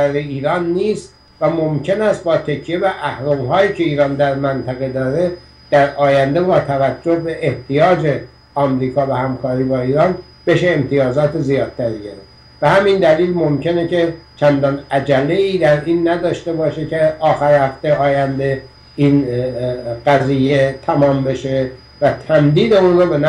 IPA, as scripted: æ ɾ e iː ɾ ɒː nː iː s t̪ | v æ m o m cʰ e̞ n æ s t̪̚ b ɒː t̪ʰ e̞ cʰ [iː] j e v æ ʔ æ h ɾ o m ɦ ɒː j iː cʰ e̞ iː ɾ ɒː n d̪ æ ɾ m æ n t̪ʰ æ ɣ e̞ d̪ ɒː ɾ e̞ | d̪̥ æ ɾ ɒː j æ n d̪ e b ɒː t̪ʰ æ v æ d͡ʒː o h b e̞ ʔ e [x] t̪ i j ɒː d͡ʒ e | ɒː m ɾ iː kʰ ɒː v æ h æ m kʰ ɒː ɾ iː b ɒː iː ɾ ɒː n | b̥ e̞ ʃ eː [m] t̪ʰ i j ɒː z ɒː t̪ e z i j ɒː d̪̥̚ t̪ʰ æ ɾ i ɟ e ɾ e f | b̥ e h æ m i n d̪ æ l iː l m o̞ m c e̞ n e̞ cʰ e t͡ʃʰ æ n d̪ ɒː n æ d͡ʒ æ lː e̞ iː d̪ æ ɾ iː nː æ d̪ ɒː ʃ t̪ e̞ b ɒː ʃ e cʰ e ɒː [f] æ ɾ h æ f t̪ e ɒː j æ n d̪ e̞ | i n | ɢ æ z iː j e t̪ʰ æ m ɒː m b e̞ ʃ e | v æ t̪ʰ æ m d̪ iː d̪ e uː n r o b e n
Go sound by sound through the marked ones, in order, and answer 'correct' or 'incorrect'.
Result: incorrect, incorrect, correct, incorrect

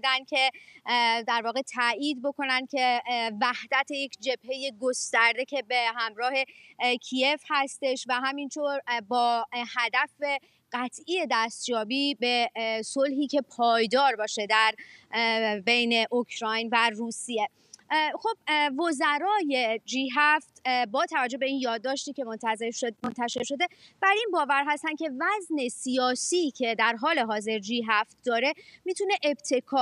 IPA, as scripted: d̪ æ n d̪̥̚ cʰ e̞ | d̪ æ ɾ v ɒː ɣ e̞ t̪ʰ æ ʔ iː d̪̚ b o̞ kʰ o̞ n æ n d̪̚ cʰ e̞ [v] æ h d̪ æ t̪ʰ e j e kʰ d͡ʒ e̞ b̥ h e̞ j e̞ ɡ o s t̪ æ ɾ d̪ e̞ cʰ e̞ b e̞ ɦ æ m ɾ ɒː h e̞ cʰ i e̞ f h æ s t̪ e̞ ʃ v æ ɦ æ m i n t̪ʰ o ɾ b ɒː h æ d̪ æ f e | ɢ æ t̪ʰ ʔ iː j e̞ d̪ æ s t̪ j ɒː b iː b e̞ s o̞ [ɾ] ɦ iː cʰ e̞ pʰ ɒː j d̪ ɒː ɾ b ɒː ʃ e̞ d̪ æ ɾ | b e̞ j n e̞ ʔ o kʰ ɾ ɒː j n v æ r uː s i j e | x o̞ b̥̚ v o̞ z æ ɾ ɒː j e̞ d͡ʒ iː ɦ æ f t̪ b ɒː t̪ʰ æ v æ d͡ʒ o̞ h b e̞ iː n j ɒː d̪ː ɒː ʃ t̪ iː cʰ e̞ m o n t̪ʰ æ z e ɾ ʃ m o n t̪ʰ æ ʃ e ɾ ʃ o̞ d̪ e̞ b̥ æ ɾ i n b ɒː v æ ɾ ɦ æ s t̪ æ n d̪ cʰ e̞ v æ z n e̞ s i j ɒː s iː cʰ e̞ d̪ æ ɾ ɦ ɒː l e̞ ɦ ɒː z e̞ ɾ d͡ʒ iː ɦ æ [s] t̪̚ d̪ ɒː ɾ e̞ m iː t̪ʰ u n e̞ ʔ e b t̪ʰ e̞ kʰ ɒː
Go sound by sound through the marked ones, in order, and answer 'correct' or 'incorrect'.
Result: correct, incorrect, incorrect

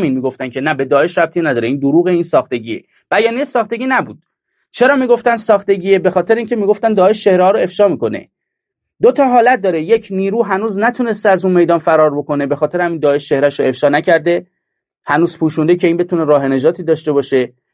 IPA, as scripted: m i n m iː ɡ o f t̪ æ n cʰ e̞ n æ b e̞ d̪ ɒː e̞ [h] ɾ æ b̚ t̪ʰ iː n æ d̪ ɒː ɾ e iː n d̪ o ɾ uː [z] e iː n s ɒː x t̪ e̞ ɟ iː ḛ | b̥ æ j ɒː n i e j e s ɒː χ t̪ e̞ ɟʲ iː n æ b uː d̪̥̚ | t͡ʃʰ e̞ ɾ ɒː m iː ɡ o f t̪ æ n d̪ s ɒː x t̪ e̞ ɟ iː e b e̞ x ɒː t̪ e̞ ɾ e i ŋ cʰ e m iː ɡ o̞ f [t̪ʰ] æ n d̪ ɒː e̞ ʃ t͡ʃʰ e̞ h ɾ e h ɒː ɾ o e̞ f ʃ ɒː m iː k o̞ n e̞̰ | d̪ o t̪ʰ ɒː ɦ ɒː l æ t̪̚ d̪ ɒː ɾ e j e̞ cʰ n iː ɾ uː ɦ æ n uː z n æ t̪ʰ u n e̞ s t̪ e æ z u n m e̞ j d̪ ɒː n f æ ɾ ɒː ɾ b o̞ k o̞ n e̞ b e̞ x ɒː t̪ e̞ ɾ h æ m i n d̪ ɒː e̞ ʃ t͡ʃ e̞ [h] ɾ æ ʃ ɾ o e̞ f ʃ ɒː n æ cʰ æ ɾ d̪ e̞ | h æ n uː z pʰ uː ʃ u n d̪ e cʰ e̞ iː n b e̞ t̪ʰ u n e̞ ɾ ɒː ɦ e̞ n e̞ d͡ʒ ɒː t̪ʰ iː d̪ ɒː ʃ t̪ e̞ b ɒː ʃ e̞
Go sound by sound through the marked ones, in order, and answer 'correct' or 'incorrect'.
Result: incorrect, incorrect, incorrect, correct

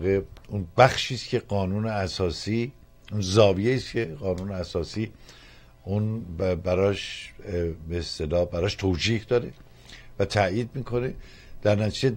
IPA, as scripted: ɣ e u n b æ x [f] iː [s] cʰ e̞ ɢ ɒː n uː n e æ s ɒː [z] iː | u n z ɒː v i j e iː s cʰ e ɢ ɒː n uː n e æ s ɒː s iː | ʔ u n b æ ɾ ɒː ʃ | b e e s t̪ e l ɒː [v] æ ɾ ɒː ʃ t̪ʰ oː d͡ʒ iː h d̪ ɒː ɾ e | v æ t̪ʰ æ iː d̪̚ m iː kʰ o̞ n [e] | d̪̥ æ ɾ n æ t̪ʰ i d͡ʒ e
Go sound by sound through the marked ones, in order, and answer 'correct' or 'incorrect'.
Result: incorrect, correct, incorrect, incorrect, correct

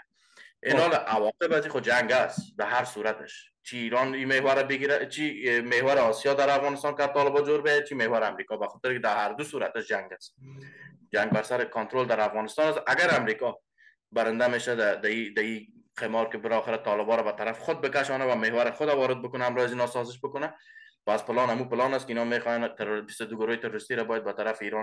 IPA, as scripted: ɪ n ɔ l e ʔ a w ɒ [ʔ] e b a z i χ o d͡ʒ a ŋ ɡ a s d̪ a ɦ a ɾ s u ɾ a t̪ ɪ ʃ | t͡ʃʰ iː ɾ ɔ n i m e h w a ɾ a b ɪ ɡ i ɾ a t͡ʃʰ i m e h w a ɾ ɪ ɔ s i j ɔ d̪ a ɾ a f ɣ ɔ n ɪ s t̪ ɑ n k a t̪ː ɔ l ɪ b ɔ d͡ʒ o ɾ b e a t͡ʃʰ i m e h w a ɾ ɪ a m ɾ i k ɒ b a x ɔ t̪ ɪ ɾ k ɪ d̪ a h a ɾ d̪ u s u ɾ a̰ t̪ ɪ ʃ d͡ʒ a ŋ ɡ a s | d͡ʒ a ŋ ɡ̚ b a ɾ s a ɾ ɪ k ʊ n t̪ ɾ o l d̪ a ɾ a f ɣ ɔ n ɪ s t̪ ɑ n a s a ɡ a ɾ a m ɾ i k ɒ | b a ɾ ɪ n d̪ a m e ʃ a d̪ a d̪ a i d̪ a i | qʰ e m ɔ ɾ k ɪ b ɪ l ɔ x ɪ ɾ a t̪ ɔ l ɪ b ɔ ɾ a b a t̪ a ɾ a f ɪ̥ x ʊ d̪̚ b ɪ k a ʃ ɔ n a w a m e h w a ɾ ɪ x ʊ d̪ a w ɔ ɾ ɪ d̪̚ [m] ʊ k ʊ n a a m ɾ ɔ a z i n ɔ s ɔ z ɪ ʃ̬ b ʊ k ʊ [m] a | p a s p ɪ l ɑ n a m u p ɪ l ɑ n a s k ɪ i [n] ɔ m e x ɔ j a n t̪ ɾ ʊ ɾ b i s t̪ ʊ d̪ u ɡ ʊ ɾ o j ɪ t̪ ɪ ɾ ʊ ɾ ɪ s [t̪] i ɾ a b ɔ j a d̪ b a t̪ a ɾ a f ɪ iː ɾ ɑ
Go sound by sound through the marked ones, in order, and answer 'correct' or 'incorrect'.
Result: incorrect, incorrect, incorrect, correct, correct

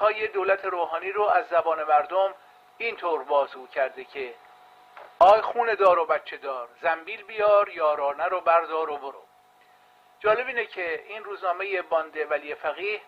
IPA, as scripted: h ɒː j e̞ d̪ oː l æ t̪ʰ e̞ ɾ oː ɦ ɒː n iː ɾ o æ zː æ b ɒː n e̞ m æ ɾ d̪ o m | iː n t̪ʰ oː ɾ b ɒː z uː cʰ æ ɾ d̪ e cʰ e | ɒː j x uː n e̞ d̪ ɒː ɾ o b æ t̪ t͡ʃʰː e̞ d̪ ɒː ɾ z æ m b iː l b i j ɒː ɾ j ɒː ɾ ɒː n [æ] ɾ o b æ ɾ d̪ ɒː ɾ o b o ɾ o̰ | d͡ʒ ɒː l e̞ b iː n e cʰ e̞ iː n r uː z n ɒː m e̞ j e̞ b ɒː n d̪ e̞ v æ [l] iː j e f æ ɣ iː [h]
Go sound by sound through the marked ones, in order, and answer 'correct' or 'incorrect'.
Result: correct, correct, correct

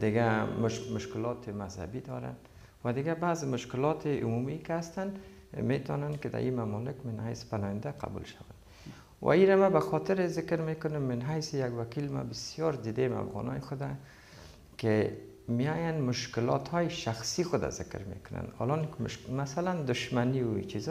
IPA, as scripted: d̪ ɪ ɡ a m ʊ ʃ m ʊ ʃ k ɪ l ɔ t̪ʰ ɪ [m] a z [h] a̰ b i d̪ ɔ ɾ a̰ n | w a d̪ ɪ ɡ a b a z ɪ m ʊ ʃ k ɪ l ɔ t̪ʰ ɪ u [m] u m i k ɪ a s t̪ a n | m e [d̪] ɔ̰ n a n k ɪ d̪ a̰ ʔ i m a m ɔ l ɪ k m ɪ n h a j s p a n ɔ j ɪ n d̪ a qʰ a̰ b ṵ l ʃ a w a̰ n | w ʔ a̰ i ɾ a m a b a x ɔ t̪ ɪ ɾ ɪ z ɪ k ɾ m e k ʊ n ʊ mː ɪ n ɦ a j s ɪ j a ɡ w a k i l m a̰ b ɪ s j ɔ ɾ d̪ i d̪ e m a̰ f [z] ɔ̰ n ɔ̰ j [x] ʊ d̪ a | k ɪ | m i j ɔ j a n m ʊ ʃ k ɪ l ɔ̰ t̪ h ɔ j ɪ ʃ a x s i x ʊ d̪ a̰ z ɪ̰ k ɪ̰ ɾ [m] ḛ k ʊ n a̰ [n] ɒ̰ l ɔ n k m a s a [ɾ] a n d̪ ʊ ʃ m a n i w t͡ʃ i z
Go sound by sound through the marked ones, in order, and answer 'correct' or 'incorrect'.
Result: correct, correct, correct, incorrect, incorrect, correct, correct, correct, incorrect

